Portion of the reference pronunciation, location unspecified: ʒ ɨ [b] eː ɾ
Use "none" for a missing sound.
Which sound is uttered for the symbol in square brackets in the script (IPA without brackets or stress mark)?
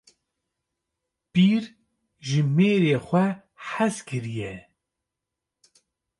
m